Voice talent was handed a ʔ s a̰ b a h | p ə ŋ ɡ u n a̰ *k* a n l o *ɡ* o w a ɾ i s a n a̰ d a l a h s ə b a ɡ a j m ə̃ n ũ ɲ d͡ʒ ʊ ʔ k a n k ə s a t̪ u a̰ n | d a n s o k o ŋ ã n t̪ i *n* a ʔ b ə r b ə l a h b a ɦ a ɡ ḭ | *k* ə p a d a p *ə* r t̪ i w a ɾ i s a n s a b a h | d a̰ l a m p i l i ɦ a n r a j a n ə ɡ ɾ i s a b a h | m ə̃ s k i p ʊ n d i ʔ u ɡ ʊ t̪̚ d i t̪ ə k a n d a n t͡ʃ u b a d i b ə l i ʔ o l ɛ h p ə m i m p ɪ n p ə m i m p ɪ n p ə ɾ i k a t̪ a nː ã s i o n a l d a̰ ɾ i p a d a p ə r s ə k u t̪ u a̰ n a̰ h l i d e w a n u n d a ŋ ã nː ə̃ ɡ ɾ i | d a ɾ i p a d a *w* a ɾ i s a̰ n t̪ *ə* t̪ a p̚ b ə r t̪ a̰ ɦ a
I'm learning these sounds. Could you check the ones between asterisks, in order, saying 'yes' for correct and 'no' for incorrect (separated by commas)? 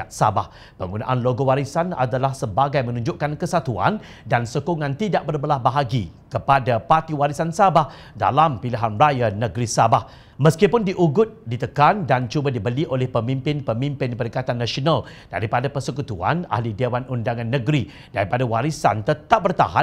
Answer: no, yes, no, yes, no, yes, yes